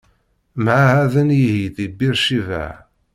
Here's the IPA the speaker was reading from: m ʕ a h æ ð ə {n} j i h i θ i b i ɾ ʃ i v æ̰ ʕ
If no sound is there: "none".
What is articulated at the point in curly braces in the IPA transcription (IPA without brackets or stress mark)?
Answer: n